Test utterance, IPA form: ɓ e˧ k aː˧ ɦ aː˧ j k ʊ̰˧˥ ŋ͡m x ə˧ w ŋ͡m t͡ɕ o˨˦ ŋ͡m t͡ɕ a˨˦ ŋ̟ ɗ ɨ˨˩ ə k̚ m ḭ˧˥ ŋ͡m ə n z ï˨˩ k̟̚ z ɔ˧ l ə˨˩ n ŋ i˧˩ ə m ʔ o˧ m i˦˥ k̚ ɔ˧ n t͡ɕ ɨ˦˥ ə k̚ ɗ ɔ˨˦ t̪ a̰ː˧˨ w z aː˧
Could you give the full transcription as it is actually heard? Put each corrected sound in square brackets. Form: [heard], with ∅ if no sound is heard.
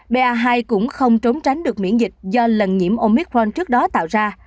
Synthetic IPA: ɓ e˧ [ʔ] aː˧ ɦ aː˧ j k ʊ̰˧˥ ŋ͡m x ə˧ w ŋ͡m t͡ɕ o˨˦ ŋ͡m t͡ɕ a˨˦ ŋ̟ ɗ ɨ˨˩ ə k̚ m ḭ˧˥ [∅] ə n z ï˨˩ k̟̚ z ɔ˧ l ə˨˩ n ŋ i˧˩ ə m ʔ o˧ m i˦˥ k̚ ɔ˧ n t͡ɕ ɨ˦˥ ə k̚ ɗ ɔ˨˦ t̪ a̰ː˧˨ w z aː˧